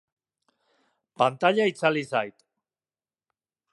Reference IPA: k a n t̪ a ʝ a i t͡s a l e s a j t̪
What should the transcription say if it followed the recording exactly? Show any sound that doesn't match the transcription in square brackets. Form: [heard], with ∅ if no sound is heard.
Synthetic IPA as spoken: [p] a n t̪ a [ʎ] a i t͡s a l [i] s a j t̪